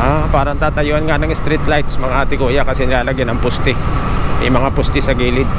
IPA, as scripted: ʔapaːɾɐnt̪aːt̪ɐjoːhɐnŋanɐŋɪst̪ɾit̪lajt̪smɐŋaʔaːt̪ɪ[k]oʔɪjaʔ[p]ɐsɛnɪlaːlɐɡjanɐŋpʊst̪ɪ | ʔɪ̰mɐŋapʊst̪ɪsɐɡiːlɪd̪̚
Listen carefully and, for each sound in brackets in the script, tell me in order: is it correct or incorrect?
correct, incorrect: k

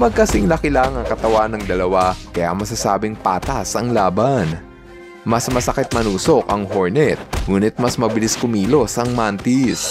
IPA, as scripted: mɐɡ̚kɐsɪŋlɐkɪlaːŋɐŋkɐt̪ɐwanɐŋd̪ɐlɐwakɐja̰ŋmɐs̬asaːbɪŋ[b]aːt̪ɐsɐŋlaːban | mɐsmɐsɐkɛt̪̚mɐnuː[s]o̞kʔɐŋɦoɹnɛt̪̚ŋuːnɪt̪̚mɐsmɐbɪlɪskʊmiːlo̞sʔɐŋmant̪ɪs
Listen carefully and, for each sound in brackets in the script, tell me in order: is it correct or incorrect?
incorrect: p, correct

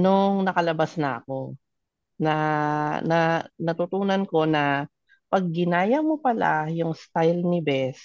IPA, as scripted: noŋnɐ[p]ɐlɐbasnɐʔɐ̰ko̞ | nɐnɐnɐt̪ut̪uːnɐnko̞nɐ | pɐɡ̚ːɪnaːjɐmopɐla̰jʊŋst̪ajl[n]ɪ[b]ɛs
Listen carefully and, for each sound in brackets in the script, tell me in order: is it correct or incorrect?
incorrect: k, correct, correct

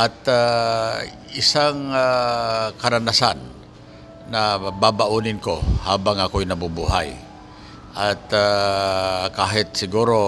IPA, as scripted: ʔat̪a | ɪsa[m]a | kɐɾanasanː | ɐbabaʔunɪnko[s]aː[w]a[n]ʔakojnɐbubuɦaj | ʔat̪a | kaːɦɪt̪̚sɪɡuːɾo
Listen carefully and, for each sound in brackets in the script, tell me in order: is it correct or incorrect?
incorrect: ŋ, incorrect: h, incorrect: b, incorrect: ŋ

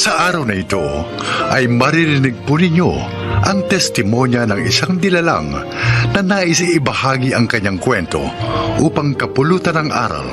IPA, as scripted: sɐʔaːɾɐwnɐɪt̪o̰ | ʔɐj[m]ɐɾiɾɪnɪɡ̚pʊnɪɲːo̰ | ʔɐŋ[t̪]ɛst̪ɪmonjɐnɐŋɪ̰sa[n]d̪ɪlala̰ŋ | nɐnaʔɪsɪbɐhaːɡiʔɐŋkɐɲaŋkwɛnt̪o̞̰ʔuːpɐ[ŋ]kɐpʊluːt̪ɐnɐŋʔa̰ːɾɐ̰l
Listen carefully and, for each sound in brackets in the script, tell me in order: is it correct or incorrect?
correct, correct, incorrect: ŋ, correct

